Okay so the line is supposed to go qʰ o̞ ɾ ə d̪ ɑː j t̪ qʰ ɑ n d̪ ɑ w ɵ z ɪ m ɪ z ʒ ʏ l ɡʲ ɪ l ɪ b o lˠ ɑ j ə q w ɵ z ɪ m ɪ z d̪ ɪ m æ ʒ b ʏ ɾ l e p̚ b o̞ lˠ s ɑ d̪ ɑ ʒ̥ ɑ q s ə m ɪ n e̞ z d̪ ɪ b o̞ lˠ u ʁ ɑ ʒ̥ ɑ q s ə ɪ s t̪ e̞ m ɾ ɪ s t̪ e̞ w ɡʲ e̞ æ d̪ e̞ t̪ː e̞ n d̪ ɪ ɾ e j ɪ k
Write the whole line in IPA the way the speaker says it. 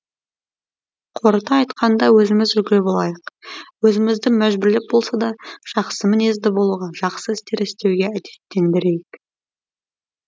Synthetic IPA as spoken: qʰ o̞ ɾ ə t̪ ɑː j t̪ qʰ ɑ n d̪ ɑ w ɵ z ɪ m ɪ z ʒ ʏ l ɡʲ ɪ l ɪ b o lˠ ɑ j ə q w ɵ z ɪ m ɪ z d̪ ɪ m æ ʒ b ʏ ɾ l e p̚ b o̞ lˠ s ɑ d̪ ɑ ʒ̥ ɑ q s ə m ɪ n e̞ z d̪ ɪ b o̞ lˠ u ʁ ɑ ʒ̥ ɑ q s ə ɪ s t̪ e̞ ɾ ɪ s t̪ e̞ w ɡʲ e̞ æ d̪ e̞ t̪ː e̞ n d̪ ɪ ɾ e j ɪ k